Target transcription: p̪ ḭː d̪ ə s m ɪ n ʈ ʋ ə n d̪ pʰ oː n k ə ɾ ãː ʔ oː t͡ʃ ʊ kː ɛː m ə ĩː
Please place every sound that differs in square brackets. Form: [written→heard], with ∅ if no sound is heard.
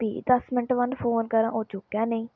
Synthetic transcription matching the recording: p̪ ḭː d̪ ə s m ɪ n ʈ ʋ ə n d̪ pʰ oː n k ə ɾ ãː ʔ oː t͡ʃ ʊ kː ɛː [m→n] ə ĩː